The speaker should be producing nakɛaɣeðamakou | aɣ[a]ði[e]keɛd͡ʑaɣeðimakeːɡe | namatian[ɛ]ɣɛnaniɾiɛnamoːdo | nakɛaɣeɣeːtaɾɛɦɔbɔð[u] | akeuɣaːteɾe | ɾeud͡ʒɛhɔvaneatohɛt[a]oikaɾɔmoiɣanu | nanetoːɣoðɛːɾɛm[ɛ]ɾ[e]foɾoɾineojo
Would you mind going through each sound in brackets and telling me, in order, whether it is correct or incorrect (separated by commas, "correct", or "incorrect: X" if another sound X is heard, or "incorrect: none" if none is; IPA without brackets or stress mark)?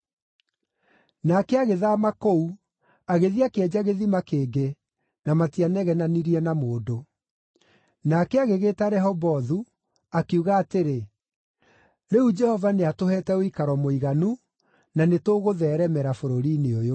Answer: incorrect: e, incorrect: a, correct, correct, incorrect: ɛ, correct, incorrect: a